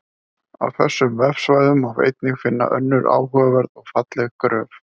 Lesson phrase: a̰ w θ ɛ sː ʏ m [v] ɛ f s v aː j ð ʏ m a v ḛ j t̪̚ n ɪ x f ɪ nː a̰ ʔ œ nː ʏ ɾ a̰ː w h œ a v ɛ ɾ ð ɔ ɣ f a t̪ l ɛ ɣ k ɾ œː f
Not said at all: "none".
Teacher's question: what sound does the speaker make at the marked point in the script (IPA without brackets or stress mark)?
v